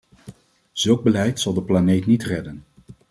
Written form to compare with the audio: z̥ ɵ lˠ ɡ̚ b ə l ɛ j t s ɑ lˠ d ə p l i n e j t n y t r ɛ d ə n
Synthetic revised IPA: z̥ ɵ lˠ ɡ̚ b ə l ɛ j t s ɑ lˠ d ə p l a n e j t n i t r ɛ d ə n